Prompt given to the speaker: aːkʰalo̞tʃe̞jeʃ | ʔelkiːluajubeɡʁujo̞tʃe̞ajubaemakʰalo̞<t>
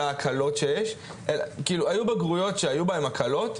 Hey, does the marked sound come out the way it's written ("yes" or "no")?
yes